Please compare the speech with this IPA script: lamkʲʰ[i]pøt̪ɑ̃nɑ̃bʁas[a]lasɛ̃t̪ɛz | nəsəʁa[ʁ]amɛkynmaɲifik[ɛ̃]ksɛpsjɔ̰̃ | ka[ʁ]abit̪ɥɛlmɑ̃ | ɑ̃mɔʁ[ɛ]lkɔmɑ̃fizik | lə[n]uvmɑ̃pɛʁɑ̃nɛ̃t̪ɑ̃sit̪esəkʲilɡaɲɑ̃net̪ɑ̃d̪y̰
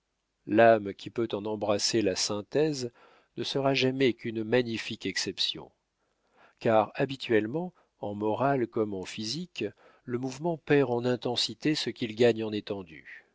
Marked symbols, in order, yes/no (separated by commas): yes, no, no, no, yes, no, no